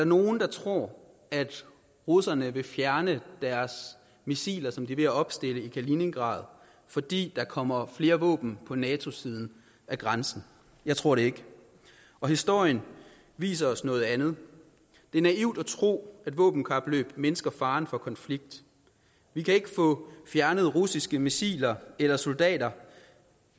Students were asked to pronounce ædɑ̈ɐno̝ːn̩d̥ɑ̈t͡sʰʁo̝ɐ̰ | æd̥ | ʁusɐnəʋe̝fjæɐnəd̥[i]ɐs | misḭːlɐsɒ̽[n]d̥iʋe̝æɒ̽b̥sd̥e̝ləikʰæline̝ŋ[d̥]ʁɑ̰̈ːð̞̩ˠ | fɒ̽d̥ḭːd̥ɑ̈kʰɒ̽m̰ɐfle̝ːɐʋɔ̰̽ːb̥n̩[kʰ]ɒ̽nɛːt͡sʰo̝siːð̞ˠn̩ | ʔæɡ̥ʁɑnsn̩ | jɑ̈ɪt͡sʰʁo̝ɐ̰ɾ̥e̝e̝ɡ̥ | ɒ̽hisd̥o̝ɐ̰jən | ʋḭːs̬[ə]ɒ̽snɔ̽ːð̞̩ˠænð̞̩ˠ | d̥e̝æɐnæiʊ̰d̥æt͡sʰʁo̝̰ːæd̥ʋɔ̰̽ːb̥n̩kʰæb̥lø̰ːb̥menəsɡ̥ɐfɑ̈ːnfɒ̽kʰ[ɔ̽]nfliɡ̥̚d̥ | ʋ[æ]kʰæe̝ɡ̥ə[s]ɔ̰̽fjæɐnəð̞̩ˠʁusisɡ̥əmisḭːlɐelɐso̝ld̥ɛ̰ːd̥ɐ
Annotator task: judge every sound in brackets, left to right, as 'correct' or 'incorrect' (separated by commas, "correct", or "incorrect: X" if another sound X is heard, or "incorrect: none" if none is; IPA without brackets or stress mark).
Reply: incorrect: æ, incorrect: m, incorrect: ɡ̥, incorrect: pʰ, incorrect: ɐ, incorrect: ɒ̽, incorrect: i, incorrect: f